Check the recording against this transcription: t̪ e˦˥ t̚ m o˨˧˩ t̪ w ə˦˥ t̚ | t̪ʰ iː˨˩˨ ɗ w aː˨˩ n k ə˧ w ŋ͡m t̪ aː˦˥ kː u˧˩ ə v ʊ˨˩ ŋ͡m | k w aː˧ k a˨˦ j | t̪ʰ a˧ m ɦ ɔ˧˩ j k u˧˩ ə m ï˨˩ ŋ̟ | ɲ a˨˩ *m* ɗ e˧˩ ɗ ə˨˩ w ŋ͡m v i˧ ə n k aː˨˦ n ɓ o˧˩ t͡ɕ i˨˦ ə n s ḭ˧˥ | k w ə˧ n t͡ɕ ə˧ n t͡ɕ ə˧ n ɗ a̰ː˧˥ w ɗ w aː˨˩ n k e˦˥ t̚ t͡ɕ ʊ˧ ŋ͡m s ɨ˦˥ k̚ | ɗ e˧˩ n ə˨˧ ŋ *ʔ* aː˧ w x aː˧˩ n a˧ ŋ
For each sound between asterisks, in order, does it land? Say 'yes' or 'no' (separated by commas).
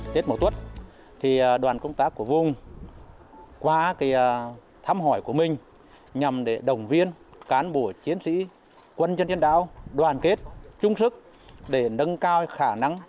yes, no